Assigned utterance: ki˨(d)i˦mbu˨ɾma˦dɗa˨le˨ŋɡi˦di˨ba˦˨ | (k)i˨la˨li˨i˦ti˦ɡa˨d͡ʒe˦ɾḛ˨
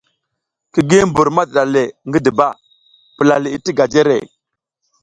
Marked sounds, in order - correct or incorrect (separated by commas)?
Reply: incorrect, incorrect